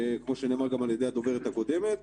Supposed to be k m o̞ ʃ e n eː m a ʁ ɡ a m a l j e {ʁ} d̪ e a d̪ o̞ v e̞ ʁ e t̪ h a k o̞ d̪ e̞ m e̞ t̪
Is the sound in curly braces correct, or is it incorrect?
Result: incorrect